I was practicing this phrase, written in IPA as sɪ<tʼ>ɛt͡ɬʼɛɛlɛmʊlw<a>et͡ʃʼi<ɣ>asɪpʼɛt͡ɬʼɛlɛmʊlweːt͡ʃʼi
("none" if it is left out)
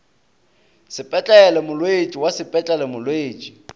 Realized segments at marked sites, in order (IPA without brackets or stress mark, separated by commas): pʼ, e, w